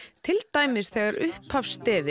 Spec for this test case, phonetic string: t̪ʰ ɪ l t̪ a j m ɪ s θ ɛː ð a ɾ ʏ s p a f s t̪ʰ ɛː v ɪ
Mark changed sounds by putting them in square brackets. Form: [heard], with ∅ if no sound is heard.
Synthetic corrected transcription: t̪ʰ ɪ l t̪ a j m ɪ s θ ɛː [ɣ] a ɾ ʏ [h] p a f s [t̪] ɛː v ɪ

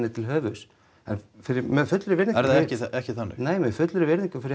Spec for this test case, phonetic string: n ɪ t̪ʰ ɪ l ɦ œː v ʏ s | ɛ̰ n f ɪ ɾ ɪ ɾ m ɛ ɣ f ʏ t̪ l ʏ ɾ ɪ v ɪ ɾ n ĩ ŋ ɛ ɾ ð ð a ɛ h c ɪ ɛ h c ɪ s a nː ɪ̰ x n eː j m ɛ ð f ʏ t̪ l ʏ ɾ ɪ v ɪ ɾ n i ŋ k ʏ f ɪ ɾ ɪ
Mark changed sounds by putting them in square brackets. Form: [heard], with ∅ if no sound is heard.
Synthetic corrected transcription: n ɪ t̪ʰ ɪ l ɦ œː v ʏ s | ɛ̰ n f ɪ ɾ ɪ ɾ m ɛ [ð] f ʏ t̪ l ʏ ɾ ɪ v ɪ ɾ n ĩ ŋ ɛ ɾ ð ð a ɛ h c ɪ ɛ h c ɪ [θ] a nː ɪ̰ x n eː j m ɛ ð f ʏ t̪ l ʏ ɾ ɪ v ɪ ɾ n i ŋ k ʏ f ɪ ɾ ɪ

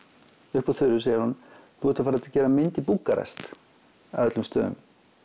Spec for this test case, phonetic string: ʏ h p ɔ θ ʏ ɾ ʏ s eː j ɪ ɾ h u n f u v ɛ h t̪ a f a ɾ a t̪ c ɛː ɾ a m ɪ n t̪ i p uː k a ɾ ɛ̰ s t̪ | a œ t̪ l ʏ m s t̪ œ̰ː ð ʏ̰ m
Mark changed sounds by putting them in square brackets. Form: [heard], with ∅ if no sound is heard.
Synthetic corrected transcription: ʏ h p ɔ θ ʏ ɾ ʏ s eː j ɪ ɾ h u n [θ] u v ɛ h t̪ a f a ɾ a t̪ c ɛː ɾ a m ɪ n t̪ i p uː k a ɾ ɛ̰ s t̪ | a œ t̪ l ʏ m s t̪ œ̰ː ð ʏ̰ m

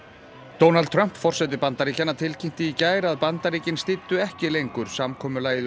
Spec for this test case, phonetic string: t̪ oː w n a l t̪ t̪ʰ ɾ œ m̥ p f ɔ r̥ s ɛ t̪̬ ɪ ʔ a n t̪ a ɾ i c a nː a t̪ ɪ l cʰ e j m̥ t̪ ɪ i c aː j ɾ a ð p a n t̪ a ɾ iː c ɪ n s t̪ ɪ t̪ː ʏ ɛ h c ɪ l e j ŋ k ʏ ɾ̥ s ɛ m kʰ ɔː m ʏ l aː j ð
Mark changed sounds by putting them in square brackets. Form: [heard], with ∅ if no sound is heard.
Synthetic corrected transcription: t̪ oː w n a l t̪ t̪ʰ ɾ œ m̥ p f ɔ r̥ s ɛ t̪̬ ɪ [p] a n t̪ a ɾ i c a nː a [t̪ʰ] ɪ l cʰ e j m̥ t̪ ɪ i c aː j ɾ a ð p a n t̪ a ɾ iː c ɪ n s t̪ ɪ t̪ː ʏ ɛ h c ɪ l e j ŋ k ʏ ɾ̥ s [a] m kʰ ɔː m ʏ l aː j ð

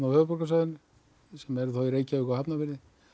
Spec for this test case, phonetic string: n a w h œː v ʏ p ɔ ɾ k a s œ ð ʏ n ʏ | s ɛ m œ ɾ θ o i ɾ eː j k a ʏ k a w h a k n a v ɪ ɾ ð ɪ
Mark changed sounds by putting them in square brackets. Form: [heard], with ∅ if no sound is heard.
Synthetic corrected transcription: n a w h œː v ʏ p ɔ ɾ k a s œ ð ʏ n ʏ | s ɛ m [ɛ] ɾ θ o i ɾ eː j [c] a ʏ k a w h a [p] n a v ɪ ɾ ð ɪ

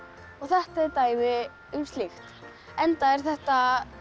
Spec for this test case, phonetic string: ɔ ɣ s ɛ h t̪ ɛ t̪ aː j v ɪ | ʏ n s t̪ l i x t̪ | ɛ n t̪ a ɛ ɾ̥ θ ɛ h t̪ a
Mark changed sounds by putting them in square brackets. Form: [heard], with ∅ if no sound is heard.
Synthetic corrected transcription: ɔ ɣ [θ] ɛ h t̪ ɛ t̪ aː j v ɪ | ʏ [m] s t̪ l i x t̪ | ɛ n t̪ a ɛ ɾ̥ θ ɛ h t̪ a

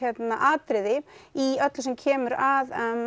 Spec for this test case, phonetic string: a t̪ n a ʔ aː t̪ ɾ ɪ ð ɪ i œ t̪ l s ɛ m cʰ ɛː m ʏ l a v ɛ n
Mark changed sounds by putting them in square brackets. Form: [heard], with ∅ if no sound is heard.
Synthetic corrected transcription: [ɛ] t̪ n a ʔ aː t̪ ɾ ɪ ð ɪ i œ t̪ l s ɛ m cʰ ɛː m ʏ [ɾ] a [ð] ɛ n

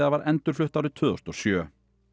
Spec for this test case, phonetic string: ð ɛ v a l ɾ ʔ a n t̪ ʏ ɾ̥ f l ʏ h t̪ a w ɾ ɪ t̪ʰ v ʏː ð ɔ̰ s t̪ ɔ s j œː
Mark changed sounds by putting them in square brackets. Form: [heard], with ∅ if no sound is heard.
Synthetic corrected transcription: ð [a] v a [∅] ɾ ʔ [ɛ] n t̪ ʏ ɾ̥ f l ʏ h t̪ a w ɾ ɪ t̪ʰ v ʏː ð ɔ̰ s t̪ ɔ s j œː

